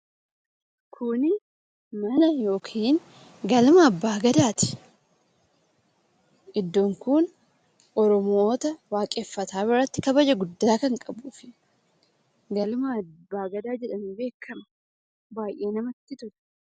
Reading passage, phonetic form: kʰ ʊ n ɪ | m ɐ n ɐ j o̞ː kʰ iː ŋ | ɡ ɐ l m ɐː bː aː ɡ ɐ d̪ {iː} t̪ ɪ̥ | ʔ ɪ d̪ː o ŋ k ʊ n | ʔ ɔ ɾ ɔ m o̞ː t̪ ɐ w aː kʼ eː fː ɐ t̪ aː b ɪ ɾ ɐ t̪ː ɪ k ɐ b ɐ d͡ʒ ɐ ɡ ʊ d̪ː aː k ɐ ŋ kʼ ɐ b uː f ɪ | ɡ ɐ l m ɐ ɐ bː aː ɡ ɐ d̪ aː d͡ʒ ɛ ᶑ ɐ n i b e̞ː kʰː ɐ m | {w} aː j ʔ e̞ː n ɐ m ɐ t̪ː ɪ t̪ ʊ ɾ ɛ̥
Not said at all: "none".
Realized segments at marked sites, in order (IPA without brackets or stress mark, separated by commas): aː, b